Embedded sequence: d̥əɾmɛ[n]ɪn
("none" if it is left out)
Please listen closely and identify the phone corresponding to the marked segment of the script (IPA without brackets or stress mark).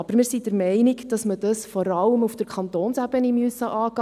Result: none